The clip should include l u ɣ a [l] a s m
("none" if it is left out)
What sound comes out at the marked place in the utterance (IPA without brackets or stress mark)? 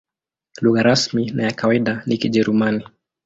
ɾ